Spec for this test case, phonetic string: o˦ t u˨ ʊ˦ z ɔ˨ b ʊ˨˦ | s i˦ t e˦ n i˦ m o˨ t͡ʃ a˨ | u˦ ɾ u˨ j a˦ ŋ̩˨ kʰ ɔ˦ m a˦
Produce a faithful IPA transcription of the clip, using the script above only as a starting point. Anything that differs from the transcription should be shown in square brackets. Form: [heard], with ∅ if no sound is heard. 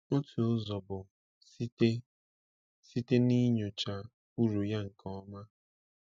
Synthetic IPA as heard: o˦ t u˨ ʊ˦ z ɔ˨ b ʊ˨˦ | s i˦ t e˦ n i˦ [ɲ] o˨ t͡ʃ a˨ | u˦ ɾ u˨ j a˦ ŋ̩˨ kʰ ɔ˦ m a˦